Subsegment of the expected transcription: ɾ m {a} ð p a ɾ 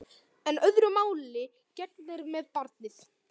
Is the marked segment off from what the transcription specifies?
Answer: yes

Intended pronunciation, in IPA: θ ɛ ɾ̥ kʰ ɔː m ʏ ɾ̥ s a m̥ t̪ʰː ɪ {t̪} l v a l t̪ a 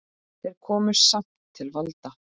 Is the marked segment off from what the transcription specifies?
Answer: yes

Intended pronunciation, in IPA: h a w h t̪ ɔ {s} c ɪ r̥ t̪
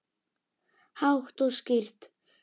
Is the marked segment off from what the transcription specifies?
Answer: no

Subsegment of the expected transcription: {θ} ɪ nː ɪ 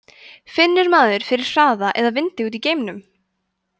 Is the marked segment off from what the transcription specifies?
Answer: yes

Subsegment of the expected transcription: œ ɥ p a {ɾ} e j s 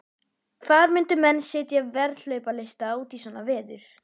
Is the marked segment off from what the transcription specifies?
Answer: yes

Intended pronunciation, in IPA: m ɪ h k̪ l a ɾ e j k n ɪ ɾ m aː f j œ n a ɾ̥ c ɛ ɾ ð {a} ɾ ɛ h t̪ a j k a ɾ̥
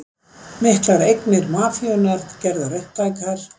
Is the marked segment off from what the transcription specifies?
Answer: no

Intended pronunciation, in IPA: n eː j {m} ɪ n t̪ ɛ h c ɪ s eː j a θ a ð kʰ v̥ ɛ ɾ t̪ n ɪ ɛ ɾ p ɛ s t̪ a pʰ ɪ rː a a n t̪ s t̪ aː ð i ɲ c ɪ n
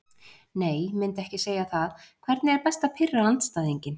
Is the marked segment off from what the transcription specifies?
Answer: no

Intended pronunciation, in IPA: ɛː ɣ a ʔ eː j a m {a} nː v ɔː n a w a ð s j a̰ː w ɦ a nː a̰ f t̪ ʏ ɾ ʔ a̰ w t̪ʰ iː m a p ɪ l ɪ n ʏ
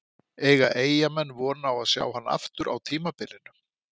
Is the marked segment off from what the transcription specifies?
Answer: yes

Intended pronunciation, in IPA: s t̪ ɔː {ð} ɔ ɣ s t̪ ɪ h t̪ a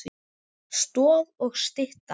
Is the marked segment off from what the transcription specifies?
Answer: no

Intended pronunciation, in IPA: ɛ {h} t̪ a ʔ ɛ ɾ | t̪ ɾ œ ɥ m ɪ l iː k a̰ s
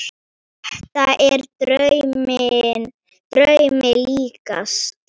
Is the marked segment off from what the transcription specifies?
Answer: no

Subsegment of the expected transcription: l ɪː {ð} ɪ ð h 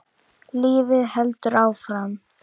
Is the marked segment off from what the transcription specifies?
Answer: yes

